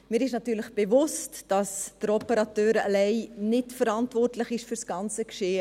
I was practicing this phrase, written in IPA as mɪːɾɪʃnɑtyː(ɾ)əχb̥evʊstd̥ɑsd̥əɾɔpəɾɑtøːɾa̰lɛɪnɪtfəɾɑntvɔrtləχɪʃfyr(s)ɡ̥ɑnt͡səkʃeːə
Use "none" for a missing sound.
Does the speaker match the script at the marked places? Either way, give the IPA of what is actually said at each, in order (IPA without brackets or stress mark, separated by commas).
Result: l, s